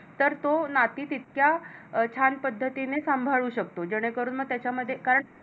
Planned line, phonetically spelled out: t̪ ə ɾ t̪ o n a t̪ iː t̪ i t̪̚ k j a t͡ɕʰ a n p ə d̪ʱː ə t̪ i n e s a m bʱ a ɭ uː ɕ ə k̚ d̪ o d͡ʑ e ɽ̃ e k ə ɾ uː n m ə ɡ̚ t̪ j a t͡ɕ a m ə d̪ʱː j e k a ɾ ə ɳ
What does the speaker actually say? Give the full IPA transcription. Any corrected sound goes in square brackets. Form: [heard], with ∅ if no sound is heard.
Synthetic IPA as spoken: t̪ ə ɾ t̪ o n a t̪ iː t̪ i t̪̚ k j a t͡ɕʰ a n p ə d̪ʱː ə t̪ i n e s a m bʱ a ɭ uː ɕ ə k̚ [t̪] o d͡ʑ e ɽ̃ e k ə ɾ uː n m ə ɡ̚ t̪ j a t͡ɕ a m ə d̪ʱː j e k a ɾ ə ɳ